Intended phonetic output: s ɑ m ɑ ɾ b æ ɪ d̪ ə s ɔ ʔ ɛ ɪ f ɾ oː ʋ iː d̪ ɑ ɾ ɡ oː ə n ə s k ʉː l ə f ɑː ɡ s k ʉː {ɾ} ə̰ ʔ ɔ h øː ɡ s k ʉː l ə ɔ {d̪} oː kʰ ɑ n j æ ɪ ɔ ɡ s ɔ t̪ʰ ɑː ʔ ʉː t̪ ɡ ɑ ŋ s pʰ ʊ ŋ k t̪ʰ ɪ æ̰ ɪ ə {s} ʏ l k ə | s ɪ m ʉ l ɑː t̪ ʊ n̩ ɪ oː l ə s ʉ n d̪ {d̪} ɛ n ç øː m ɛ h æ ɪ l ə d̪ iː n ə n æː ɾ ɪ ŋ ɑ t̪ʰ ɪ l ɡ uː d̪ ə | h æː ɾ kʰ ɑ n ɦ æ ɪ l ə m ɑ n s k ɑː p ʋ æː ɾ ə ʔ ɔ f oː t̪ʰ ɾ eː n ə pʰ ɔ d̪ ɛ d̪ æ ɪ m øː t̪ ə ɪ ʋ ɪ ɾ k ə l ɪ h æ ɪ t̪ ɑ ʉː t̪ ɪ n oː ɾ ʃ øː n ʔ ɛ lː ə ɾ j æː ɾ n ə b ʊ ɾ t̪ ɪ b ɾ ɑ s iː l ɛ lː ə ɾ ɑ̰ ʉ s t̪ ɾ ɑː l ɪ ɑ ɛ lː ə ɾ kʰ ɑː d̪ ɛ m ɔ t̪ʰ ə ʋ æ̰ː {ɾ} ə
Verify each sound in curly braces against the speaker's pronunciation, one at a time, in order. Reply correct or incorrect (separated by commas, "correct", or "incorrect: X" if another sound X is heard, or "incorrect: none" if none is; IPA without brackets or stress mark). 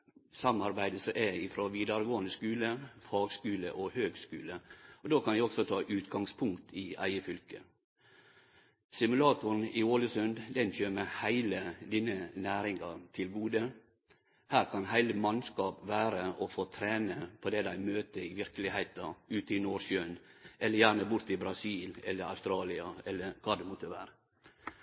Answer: incorrect: l, correct, incorrect: f, correct, correct